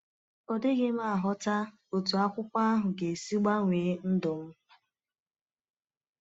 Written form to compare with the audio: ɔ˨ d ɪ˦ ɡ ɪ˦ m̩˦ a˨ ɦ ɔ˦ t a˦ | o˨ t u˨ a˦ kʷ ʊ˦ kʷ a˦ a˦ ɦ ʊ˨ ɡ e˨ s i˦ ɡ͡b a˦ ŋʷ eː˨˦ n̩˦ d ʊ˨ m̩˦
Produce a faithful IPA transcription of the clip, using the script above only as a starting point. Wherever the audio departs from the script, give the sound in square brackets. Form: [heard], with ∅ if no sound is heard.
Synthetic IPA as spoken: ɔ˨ d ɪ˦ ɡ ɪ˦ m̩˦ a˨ ɦ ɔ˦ t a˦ | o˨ t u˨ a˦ kʷ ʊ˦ kʷ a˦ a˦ ɦ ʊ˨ ɡ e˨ s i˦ ɡ͡b a˦ ŋʷ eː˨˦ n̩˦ d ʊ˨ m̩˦

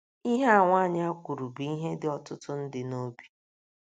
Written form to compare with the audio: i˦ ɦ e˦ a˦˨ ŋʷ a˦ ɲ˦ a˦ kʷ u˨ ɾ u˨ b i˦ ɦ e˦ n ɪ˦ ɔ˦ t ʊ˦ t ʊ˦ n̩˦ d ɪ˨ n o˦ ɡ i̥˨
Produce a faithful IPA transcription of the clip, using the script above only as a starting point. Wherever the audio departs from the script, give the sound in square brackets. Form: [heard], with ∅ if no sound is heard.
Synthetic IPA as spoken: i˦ ɦ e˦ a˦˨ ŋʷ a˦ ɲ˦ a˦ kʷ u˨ ɾ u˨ b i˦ ɦ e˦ [d] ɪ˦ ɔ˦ t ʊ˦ t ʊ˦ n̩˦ d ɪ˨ n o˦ [b] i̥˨

